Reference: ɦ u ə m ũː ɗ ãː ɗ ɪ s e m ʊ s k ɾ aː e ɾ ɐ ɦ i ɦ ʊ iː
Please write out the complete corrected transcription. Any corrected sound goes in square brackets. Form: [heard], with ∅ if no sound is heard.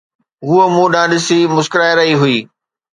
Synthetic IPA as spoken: ɦ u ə m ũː ɗ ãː ɗ ɪ s [i] m ʊ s k ɾ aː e ɾ ɐ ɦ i ɦ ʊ iː